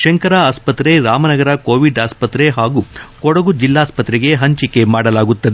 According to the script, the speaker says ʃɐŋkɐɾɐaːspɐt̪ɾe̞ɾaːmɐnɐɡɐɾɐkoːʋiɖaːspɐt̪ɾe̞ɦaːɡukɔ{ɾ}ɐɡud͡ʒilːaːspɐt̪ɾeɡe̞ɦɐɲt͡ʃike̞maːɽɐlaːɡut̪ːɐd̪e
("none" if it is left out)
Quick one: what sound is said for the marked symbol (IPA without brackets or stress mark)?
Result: ɽ